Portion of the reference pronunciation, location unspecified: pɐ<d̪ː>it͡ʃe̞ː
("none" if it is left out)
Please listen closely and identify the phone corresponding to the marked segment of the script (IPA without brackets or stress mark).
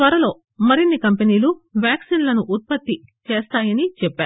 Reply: t̪ː